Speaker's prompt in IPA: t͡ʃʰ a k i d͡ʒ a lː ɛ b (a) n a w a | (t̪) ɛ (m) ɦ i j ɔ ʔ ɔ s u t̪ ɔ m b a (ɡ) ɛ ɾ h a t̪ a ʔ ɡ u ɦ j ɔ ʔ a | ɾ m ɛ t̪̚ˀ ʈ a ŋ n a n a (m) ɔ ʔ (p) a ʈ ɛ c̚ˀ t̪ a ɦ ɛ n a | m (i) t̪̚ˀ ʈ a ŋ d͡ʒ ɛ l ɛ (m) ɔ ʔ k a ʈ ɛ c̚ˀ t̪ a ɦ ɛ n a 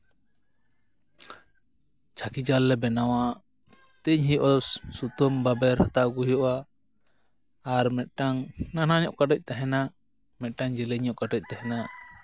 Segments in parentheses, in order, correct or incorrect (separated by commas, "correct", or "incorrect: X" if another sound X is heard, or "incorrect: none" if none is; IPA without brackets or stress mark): incorrect: ɛ, correct, incorrect: ɲ, incorrect: b, incorrect: ɲ, incorrect: k, incorrect: ɛ, incorrect: ɲ